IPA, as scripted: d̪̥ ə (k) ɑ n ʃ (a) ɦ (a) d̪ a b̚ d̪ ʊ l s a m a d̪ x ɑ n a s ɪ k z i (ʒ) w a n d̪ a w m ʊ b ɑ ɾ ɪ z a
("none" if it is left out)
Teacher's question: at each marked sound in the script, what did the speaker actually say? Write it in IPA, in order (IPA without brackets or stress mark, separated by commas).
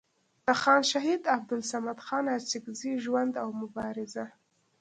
x, a, i, ʒ